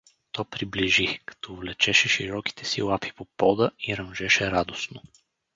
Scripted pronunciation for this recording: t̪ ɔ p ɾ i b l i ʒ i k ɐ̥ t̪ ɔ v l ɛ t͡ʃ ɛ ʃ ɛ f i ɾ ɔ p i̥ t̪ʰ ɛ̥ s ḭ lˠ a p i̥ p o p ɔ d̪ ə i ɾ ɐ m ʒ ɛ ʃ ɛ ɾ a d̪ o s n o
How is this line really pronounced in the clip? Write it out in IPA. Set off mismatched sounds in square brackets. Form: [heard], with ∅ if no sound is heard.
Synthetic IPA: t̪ ɔ p ɾ i b l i ʒ i k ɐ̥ t̪ ɔ v l ɛ t͡ʃ ɛ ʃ ɛ [ʃ] i ɾ ɔ [k] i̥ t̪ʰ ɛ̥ s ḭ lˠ a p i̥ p o p ɔ d̪ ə i ɾ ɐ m ʒ ɛ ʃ ɛ ɾ a d̪ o s n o